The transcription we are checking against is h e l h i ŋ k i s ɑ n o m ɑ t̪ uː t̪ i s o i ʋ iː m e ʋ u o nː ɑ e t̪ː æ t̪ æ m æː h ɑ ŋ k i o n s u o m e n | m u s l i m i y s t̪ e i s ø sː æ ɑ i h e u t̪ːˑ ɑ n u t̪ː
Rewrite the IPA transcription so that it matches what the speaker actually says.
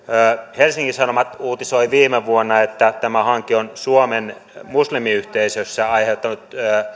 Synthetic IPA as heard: h e l s i ŋ k i s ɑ n o m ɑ t̪ uː t̪ i s o i ʋ iː m e ʋ u o nː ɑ e t̪ː æ t̪ æ m æ h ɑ ŋ k i o n s u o m e n | m u s l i m i y h t̪ e i s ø sː æ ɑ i h e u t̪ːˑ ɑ n u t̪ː